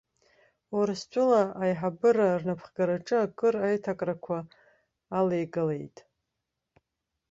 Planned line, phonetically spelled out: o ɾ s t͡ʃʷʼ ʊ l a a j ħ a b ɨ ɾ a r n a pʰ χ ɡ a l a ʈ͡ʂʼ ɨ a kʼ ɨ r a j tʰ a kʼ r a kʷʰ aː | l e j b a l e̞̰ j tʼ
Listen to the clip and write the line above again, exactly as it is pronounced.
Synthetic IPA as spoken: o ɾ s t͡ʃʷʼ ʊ l a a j ħ a b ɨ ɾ a r n a pʰ χ ɡ a ɾ a ʈ͡ʂʼ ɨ a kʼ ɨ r a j tʰ a kʼ r a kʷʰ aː | l e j ɡ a l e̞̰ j tʼ